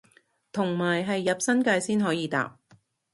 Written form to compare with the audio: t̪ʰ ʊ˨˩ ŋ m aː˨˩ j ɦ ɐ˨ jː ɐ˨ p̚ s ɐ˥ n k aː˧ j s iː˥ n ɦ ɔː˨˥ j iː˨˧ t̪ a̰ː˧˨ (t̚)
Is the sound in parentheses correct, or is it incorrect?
incorrect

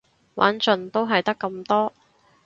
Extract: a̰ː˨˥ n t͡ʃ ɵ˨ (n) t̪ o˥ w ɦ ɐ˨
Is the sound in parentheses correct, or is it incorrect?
correct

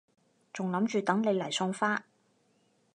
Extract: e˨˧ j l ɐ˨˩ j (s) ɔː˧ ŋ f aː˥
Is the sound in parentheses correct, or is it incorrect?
correct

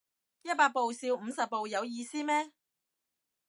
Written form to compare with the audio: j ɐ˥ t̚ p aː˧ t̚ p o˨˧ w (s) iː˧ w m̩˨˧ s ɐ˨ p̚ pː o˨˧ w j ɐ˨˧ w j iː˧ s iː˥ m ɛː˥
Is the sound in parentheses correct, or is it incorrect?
correct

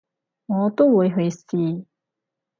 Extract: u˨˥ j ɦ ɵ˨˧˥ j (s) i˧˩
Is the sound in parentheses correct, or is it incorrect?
correct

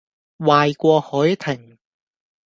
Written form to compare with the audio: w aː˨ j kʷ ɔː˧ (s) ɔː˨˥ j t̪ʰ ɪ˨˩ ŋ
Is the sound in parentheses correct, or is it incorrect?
incorrect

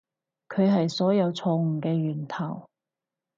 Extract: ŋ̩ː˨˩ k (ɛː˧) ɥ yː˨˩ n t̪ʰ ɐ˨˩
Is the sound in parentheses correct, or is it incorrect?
correct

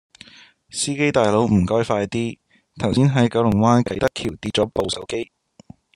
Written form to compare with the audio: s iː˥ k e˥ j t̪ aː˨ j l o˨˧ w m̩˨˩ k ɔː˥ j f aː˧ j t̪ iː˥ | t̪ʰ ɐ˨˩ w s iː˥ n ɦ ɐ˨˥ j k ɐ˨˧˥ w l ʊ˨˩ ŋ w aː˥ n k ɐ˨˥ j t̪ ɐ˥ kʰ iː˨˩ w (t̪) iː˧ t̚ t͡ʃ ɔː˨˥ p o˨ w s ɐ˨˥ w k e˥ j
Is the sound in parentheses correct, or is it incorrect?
correct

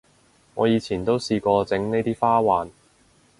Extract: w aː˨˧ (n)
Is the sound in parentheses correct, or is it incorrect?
correct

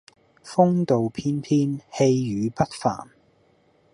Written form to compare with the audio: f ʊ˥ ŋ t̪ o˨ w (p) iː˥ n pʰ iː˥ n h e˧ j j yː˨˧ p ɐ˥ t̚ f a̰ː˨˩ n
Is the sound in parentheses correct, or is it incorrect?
incorrect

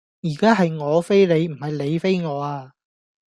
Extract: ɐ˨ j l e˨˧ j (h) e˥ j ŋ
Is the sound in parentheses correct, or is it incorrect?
incorrect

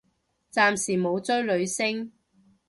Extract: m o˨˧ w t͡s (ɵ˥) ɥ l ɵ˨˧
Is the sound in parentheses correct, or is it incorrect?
correct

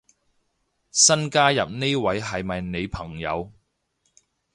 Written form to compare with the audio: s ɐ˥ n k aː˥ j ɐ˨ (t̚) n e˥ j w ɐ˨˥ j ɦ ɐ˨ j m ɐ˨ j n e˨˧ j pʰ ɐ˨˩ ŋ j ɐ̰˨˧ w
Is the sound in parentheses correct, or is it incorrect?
incorrect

